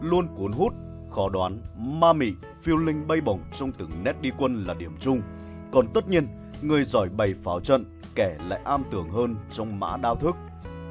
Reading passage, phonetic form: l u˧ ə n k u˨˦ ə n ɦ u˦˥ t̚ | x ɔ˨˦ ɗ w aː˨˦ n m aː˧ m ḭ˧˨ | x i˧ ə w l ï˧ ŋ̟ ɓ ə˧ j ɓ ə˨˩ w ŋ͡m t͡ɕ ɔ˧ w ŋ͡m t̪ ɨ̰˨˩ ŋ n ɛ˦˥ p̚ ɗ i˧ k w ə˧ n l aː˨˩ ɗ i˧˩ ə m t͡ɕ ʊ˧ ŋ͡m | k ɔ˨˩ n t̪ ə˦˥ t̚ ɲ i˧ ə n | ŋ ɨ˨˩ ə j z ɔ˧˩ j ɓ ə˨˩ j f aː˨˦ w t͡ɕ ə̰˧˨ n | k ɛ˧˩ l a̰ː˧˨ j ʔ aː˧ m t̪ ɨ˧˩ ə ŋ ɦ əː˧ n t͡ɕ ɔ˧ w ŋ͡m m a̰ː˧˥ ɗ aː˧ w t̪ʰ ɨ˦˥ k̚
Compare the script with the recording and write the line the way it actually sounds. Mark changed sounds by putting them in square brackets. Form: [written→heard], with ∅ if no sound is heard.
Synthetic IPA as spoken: l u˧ ə n k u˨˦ ə n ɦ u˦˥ t̚ | x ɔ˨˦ ɗ w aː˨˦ n m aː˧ m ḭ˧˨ | [x→f] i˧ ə w l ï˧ ŋ̟ ɓ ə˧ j ɓ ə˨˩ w ŋ͡m t͡ɕ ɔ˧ w ŋ͡m t̪ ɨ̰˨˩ ŋ n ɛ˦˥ [p̚→t̚] ɗ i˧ k w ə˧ n l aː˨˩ ɗ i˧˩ ə m t͡ɕ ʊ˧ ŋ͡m | k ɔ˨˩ n t̪ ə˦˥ t̚ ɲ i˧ ə n | ŋ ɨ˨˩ ə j z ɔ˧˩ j ɓ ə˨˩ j f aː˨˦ w t͡ɕ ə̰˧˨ n | k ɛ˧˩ l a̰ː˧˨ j ʔ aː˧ m t̪ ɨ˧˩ ə ŋ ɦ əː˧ n t͡ɕ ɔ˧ w ŋ͡m m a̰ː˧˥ ɗ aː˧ w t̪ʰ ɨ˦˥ k̚